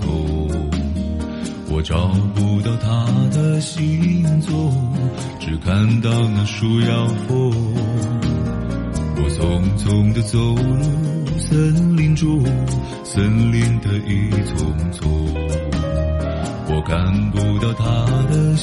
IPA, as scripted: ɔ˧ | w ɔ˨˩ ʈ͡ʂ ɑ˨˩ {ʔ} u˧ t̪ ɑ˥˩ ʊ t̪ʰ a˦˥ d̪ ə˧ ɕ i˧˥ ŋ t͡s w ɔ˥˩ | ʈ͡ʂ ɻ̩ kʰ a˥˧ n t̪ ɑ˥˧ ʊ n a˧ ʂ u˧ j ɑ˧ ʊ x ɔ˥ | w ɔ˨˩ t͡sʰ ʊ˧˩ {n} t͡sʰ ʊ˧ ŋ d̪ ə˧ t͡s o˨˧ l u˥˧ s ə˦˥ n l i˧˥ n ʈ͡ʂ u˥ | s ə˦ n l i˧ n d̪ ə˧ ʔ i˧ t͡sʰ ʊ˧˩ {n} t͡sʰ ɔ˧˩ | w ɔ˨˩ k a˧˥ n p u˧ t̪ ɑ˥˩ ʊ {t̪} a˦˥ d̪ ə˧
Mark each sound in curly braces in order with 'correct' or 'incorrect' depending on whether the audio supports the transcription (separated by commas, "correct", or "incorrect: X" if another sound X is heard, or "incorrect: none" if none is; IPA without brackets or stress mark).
incorrect: p, incorrect: ŋ, incorrect: ŋ, incorrect: t̪ʰ